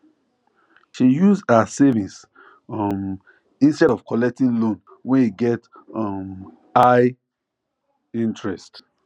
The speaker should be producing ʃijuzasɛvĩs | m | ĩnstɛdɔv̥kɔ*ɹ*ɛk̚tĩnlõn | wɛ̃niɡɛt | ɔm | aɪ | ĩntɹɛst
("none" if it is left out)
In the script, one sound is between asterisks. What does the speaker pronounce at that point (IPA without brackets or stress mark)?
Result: l